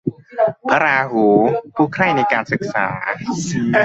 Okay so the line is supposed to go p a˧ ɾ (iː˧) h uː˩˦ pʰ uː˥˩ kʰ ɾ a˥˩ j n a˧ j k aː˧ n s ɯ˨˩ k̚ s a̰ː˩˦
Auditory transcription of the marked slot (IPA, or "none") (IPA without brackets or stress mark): aː˧